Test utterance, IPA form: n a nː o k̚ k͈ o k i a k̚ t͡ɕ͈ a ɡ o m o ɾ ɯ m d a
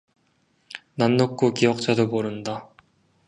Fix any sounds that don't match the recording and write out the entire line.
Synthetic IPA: n a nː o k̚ k͈ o k i ʌ k̚ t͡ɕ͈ a d o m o ɾ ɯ n d a

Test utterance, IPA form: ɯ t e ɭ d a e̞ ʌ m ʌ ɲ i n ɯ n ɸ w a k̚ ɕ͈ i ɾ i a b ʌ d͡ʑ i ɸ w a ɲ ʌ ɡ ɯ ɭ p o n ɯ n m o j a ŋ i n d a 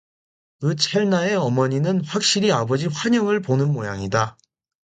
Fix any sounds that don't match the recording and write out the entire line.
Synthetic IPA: ɯ t͡ɕʰ e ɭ n a e̞ ʌ m ʌ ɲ i n ɯ n ɸ w a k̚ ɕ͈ i ɾ i a b ʌ d͡ʑ i ɸ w a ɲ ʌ ŋ ɯ ɭ p o n ɯ n m o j a ŋ i d a

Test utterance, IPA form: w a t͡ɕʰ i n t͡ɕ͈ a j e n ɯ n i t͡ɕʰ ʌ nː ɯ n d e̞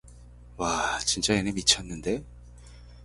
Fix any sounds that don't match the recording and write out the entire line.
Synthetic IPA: w a t͡ɕ i n t͡ɕ͈ a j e n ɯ m i t͡ɕʰ ʌ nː ɯ n d e̞

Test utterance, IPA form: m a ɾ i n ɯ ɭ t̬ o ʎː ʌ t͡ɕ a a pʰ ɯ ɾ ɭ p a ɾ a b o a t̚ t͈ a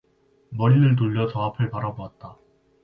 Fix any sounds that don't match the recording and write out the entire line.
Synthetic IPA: m ʌ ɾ i n ɯ ɭ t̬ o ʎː ʌ t͡ɕ ʌ a pʰ ɯ ɭ p a ɾ a b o a t̚ t͈ a

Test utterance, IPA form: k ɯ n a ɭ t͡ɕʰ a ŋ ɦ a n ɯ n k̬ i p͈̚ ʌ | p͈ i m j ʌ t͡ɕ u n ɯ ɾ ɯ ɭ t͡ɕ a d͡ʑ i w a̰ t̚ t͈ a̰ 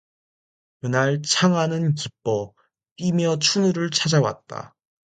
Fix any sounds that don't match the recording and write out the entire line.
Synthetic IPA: k ɯ n a ɭ t͡ɕʰ a ŋ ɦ a n ɯ n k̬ i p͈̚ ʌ | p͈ i m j ʌ t͡ɕʰ u n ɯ ɾ ɯ ɭ t͡ɕʰ a d͡ʑ a w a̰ t̚ t͈ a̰

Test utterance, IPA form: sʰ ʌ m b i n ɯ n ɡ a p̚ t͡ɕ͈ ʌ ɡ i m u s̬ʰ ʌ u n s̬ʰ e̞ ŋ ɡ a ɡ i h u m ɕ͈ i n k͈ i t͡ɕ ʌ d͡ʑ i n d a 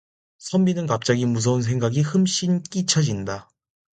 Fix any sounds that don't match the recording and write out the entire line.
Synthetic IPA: sʰ ʌ m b i n ɯ n k a p̚ t͡ɕ͈ a ɡ i m u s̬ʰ ʌ u n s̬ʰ e̞ ŋ ɡ a ɡ i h ɯ m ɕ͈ i n k͈ i t͡ɕʰ ʌ d͡ʑ i n d a

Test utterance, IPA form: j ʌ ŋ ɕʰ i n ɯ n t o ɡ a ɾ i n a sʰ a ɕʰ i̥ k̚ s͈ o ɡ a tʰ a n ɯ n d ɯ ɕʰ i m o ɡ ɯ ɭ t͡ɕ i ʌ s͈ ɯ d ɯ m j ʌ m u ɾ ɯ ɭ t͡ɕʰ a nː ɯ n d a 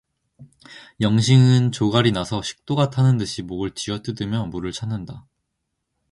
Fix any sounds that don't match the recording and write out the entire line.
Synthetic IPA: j ʌ ŋ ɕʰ i ŋ ɯ n t͡ɕ o ɡ a ɾ i n a sʰ ʌ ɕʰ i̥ k̚ t͈ o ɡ a tʰ a n ɯ n d ɯ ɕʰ i m o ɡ ɯ ɭ t͡ɕ i ʌ t͈ ɯ d ɯ m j ʌ m u ɾ ɯ ɭ t͡ɕʰ a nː ɯ n d a

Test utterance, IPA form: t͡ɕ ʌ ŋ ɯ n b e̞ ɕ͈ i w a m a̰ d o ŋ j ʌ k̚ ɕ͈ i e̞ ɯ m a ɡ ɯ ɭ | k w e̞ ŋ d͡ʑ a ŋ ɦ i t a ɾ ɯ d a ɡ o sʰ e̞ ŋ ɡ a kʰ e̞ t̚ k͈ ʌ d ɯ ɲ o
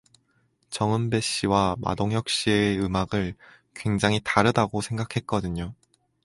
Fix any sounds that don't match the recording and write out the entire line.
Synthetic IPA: t͡ɕ ʌ ŋ ɯ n b e̞ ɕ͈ i w a m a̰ d o ŋ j ʌ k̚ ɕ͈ i e̞ ɯ m a ɡ ɯ ɭ | k w e̞ ŋ d͡ʑ a ŋ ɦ i t a ɾ ɯ d a ɡ o sʰ e̞ ŋ ɡ a kʰ e̞ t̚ k͈ ʌ d ɯ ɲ o

